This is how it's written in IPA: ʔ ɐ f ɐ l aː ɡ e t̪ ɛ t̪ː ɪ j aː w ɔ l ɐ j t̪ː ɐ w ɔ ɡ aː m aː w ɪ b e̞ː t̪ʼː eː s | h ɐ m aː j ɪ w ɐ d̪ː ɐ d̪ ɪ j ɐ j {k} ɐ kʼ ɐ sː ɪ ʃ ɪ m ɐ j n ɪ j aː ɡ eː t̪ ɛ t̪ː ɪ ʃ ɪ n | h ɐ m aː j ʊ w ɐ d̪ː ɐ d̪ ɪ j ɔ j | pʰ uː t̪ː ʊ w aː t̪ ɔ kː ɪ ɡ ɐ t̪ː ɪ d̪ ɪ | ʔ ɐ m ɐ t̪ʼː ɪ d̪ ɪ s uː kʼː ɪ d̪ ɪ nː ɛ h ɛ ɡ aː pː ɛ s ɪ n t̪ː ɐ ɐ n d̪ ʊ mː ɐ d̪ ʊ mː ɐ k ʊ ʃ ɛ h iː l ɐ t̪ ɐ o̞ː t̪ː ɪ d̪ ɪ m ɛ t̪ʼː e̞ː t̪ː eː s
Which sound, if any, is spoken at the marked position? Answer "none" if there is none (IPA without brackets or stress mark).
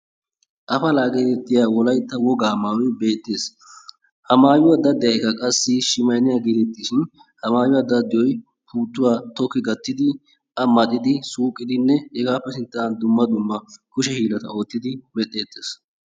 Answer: k